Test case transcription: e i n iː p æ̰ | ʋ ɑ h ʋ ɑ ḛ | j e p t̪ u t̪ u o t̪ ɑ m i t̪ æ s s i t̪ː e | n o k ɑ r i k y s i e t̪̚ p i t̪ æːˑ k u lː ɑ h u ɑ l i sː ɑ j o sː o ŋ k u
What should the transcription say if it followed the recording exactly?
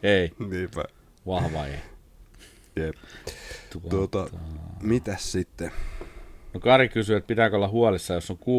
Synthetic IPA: e i n iː p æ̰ | ʋ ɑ h ʋ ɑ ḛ | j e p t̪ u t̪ u o t̪ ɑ m i t̪ æ s s i t̪ː e | n o k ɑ r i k y s y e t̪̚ p i t̪ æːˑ k o lː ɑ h u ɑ l i sː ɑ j o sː o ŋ k u